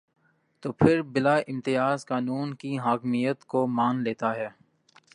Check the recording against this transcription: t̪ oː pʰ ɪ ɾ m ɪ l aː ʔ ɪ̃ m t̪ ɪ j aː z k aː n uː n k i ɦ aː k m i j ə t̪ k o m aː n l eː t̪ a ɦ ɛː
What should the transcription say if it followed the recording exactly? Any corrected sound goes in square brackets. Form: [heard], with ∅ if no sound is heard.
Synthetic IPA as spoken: t̪ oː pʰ ɪ ɾ [b] ɪ l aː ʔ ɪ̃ m t̪ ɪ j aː z k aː n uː n k i ɦ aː k m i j ə t̪ k o m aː n l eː t̪ a ɦ ɛː